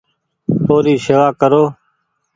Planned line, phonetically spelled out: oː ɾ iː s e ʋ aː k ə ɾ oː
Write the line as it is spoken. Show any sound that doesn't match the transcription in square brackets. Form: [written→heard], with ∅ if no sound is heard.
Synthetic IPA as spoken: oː ɾ iː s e ʋ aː k ə ɾ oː